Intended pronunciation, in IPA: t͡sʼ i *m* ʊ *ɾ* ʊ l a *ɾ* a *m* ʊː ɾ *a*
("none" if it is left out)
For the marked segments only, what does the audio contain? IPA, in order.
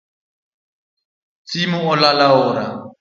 m, none, l, none, a

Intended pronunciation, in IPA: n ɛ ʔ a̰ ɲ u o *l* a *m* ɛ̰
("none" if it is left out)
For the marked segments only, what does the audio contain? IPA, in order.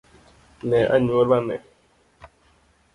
l, n

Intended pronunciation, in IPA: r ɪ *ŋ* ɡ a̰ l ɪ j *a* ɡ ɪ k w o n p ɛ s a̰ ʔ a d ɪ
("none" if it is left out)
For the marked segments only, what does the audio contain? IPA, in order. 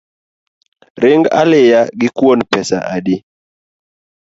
ŋ, a

